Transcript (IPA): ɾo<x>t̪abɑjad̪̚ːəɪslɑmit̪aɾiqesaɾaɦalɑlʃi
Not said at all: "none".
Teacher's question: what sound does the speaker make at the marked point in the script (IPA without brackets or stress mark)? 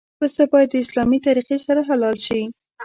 s